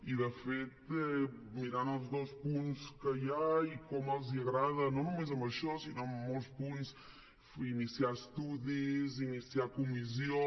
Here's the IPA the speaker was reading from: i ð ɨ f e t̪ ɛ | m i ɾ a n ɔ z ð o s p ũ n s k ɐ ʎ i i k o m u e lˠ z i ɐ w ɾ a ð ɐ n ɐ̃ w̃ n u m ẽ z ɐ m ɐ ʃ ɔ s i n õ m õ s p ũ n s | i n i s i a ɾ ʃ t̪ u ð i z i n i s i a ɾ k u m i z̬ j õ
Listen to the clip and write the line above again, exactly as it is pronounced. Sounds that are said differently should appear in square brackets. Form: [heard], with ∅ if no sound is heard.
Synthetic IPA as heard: i ð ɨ f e t̪ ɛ | m i ɾ a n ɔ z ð o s p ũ n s k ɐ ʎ [a] i k o m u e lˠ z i ɐ [ɣ] ɾ a ð ɐ n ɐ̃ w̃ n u m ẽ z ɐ m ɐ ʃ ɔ s i n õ m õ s p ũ n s | i n i s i a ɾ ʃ t̪ u ð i z i n i s i a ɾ k u m i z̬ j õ

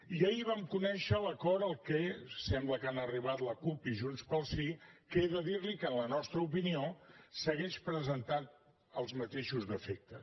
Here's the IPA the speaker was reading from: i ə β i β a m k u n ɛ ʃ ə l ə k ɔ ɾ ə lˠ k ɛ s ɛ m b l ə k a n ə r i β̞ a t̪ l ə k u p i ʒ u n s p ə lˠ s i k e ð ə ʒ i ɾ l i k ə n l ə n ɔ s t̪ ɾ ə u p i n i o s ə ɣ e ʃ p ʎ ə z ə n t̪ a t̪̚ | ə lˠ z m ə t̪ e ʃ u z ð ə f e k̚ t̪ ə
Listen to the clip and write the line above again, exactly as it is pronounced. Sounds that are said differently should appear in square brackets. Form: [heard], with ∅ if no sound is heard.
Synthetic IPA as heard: i ə [∅] i β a m k u n ɛ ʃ ə l ə k ɔ ɾ ə lˠ k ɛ s ɛ m b l ə k a n ə r i β̞ a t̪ l ə k u p i ʒ u n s p ə lˠ s i k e ð ə [ð] i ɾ l i k ə n l ə n ɔ s t̪ ɾ ə u p i n i o s ə ɣ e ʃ p [ɾ] ə z ə n t̪ a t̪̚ | ə lˠ z m ə t̪ e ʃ u z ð ə f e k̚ t̪ ə

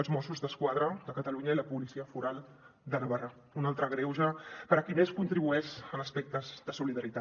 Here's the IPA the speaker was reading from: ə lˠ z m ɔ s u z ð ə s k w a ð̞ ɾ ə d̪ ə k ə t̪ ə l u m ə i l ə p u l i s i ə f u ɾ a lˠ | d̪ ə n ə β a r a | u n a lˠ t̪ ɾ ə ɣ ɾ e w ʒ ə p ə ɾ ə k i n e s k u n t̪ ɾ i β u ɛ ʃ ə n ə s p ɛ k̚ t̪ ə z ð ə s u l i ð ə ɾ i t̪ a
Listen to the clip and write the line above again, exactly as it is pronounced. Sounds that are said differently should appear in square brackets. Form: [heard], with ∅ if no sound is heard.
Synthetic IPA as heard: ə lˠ z m ɔ s u z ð ə s k w a ð̞ ɾ ə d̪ ə k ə t̪ ə l u [ɲ] ə i l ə p u l i s i ə f u ɾ a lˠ | d̪ ə n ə β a r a | u n a lˠ t̪ ɾ ə ɣ ɾ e w ʒ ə p ə ɾ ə k i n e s k u n t̪ ɾ i β u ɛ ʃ ə n ə s p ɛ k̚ t̪ ə z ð ə s u l i ð ə ɾ i t̪ a

